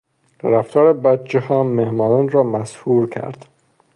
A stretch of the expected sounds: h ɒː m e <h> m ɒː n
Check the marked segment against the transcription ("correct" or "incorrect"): correct